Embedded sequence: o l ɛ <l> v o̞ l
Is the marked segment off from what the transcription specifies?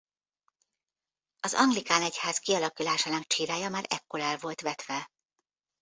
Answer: no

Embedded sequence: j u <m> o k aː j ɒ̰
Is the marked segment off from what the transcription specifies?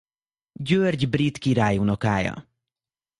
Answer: yes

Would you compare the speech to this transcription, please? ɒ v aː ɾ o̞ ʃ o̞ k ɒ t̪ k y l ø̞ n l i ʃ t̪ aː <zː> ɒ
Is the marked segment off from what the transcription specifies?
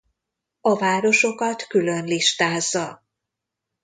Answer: no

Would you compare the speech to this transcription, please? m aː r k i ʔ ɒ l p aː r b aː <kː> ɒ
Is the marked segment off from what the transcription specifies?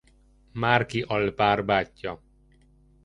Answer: yes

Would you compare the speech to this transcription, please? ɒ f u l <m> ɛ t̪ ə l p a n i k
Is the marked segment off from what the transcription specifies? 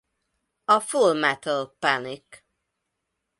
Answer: no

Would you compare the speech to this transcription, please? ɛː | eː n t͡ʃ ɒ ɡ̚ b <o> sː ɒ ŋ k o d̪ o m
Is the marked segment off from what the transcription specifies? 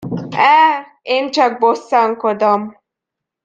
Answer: no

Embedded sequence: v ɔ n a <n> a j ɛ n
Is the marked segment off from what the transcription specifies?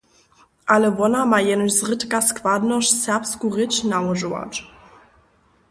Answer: yes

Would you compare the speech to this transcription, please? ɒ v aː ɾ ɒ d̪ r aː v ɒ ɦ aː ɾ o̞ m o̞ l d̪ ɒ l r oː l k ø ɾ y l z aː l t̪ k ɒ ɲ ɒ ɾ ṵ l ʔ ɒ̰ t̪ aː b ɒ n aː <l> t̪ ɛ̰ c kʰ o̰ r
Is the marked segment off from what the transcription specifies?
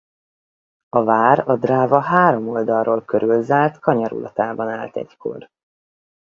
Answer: no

